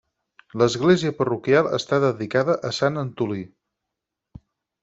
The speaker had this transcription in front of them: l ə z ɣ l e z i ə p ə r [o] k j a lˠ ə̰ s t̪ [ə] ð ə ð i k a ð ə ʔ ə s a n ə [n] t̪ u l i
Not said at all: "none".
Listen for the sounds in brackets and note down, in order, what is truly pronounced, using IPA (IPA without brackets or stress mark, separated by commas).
u, a, n